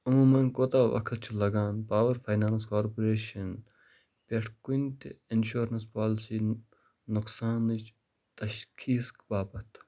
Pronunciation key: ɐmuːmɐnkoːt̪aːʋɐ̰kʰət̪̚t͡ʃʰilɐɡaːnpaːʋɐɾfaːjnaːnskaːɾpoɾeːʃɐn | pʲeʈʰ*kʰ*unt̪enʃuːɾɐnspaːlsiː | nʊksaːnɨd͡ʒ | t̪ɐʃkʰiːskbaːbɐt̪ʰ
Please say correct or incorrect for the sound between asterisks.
incorrect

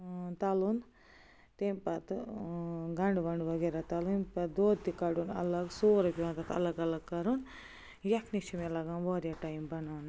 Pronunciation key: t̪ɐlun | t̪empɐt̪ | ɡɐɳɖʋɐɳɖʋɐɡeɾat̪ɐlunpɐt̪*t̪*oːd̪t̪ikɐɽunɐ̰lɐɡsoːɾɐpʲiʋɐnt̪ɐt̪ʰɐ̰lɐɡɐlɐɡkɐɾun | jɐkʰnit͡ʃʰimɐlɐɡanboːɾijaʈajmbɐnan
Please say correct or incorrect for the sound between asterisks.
incorrect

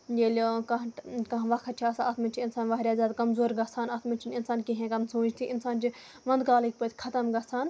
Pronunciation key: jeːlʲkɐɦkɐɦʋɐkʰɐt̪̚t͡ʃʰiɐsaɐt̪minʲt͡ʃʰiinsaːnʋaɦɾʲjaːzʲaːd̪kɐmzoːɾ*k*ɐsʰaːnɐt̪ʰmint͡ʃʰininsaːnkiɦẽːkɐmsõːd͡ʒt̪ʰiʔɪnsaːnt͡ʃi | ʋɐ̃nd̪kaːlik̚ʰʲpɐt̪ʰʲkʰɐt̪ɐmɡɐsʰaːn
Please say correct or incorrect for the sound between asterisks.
incorrect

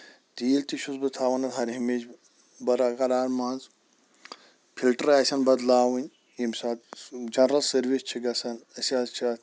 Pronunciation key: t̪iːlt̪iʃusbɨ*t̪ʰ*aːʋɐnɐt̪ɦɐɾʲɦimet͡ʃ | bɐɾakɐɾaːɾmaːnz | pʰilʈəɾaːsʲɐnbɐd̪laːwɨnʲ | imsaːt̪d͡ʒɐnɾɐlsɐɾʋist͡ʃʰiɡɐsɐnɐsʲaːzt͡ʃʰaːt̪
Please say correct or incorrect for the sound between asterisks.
correct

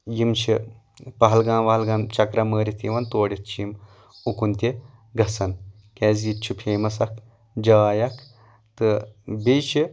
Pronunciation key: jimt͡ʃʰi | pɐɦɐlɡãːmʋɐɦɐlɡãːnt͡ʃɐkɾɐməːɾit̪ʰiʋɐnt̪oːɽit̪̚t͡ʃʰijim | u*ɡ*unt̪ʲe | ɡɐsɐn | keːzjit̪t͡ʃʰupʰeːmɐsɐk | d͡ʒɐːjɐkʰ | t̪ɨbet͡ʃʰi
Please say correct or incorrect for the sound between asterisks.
incorrect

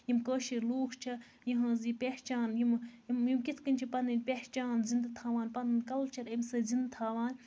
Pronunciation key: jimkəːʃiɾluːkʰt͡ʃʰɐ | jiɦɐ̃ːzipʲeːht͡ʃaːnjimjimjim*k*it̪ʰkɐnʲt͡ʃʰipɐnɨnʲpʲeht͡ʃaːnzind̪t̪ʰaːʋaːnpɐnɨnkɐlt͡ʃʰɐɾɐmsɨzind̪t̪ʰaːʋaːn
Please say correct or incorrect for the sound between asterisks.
correct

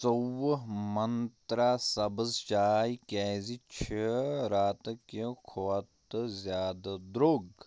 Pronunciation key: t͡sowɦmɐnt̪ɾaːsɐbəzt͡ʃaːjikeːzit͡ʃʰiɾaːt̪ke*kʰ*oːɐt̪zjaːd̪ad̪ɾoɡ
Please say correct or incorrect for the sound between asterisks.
correct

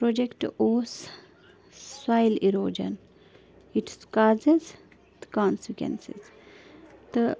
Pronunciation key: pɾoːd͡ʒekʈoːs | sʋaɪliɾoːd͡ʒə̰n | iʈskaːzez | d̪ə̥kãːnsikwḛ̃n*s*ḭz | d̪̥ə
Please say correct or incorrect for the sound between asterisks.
correct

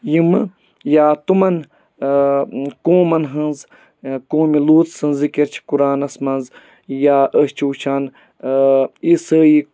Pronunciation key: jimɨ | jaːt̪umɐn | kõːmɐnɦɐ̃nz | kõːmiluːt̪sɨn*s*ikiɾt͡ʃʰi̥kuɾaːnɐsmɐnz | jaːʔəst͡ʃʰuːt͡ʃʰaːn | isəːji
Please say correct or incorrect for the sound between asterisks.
incorrect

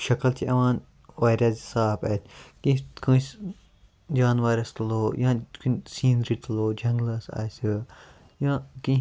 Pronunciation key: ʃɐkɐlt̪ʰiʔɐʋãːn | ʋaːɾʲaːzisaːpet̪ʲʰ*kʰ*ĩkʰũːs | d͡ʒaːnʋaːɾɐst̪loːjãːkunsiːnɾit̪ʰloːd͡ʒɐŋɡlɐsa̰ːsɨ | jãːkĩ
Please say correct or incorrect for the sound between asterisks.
incorrect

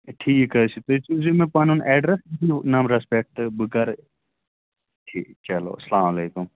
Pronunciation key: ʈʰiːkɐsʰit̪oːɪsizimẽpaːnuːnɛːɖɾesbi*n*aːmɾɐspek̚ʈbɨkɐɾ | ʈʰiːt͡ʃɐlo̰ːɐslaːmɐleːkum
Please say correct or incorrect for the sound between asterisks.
correct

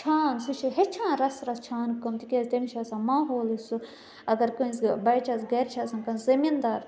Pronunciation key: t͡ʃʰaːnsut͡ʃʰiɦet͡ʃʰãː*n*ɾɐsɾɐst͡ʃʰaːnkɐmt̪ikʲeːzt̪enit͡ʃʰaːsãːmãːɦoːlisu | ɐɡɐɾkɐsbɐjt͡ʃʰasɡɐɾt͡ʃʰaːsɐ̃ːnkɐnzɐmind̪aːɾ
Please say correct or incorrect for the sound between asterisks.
correct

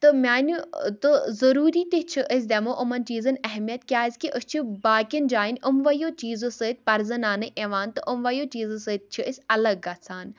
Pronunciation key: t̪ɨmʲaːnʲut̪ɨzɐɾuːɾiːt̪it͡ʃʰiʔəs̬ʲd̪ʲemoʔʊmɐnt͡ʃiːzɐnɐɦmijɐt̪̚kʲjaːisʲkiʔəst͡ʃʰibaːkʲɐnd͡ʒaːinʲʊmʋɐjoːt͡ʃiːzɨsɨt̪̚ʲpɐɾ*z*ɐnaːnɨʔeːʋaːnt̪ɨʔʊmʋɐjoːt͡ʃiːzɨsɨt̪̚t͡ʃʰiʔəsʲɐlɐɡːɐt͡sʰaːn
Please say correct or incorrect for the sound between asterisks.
correct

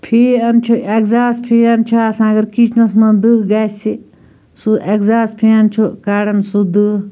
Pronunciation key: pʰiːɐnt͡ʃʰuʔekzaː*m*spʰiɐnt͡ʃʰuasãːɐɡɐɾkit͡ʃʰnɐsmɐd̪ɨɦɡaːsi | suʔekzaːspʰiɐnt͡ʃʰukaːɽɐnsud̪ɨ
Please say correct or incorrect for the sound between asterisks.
incorrect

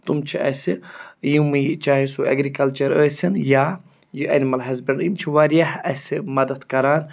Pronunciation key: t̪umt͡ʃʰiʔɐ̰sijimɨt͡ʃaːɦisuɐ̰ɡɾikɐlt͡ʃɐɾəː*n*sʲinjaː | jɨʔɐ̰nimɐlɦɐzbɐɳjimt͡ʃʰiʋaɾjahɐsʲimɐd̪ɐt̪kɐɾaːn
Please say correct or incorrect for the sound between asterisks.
incorrect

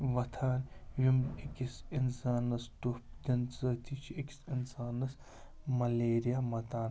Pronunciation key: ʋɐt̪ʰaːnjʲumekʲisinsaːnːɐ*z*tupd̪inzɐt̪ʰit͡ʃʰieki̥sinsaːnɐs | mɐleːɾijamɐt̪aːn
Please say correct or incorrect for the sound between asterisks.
incorrect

